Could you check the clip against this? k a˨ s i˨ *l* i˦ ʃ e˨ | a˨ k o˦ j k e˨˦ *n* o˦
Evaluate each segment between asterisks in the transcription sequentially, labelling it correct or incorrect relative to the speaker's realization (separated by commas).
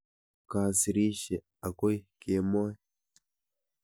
incorrect, incorrect